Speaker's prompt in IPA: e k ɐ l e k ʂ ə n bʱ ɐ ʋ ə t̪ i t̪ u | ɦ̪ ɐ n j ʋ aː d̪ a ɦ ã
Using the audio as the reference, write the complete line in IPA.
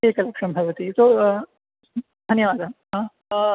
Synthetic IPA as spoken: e k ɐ l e k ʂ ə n bʱ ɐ ʋ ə t̪ i t̪ o | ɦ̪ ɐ n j ʋ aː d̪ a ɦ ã